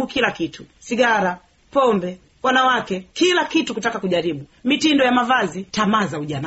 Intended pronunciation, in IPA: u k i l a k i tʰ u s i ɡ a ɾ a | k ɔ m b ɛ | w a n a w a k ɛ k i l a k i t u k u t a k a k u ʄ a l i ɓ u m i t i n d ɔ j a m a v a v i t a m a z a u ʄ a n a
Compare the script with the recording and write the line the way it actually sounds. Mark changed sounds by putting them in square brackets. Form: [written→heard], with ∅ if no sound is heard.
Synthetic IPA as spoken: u k i l a k i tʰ u s i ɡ a ɾ a | [k→p] ɔ m b ɛ | w a n a w a k ɛ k i l a k i t u k u t a k a k u ʄ a [l→ɾ] i ɓ u m i t i n d ɔ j a m a v a [v→z] i t a m a z a u ʄ a n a